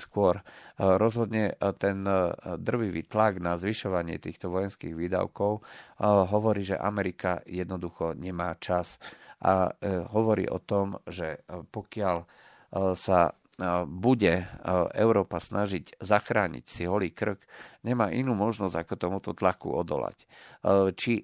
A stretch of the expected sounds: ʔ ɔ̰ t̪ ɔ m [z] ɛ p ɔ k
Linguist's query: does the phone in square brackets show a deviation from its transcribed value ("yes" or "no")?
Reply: yes